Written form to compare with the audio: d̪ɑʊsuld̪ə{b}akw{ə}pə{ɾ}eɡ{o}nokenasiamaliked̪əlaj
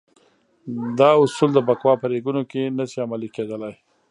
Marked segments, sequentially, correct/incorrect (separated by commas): correct, incorrect, correct, incorrect